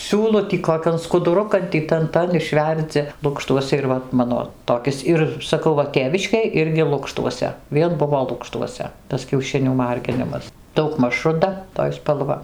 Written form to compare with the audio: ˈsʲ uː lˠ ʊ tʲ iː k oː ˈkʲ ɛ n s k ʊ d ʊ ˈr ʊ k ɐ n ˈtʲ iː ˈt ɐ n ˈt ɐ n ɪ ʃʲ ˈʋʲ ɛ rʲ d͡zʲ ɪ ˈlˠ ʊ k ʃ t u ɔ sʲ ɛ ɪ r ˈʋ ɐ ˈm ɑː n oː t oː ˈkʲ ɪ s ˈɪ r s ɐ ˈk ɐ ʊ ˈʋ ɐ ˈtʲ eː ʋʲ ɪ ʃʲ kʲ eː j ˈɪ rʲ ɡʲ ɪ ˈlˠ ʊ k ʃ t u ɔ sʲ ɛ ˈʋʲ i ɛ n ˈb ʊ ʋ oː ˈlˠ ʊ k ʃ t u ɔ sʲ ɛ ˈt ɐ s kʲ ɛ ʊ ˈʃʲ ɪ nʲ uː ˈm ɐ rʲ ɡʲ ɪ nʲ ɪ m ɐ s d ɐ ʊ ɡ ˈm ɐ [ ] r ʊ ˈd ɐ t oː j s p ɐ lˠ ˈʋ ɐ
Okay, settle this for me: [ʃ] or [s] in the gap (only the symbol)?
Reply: ʃ